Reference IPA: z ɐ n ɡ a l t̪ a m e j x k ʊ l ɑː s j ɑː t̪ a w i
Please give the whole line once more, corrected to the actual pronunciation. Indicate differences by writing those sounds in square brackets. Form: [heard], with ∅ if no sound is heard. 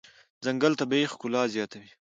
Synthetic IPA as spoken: z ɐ [ŋ] ɡ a l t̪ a [b] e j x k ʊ l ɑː [z] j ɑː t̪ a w i